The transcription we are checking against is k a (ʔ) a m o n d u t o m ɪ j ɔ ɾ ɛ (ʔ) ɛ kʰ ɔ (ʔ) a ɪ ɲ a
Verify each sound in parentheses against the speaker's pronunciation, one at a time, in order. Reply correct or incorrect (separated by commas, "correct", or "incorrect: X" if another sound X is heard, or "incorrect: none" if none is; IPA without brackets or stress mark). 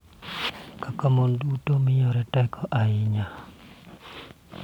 incorrect: k, incorrect: t, correct